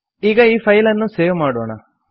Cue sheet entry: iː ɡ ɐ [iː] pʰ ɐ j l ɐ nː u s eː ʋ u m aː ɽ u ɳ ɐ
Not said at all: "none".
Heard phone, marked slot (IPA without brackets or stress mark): iː